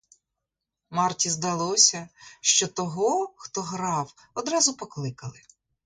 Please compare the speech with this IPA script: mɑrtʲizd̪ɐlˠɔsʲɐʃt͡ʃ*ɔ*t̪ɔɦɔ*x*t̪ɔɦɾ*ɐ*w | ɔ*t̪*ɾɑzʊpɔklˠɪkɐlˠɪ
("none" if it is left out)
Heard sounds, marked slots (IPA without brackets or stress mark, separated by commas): ɔ, x, ɑ, d̪